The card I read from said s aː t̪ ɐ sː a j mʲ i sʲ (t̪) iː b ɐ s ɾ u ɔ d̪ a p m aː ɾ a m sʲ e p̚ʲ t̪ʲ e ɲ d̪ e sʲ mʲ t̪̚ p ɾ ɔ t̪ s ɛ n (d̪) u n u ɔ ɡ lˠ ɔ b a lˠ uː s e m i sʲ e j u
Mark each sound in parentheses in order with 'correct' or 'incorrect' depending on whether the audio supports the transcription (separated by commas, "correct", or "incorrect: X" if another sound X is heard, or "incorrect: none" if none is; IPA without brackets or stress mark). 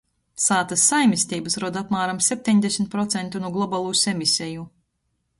correct, incorrect: t̪